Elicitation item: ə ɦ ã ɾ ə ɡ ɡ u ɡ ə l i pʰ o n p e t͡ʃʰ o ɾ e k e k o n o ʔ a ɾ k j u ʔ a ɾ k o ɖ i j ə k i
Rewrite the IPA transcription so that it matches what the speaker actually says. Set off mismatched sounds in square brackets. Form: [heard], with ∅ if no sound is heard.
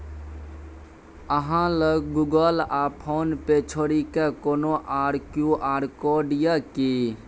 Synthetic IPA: ə ɦ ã [l] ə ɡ ɡ u ɡ ə l [a] pʰ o n p e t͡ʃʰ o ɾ [i] k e k o n o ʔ a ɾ k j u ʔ a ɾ k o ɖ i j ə k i